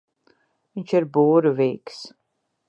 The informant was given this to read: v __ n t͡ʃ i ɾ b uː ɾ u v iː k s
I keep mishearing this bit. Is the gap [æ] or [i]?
i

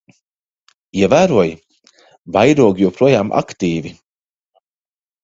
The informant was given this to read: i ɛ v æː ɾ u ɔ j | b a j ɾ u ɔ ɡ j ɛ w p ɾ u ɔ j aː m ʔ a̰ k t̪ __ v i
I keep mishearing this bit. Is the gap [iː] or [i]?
iː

